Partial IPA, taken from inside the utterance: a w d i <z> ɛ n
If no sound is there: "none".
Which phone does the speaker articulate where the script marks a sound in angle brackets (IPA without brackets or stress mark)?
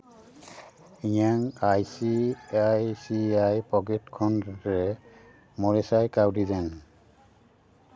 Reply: z